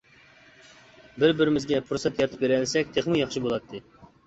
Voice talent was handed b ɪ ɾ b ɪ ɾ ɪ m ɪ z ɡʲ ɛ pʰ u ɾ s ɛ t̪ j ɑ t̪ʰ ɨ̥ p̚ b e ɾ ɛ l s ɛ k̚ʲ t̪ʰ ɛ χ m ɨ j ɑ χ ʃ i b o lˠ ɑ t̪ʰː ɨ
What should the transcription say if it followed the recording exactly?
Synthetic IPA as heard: b ɪ ɾ b ɪ ɾ ɪ m ɪ z ɡʲ ɛ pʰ u ɾ s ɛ t̪ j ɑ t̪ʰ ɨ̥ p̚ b e ɾ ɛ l s ɛ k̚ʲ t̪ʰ e χ m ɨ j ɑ χ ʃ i b o lˠ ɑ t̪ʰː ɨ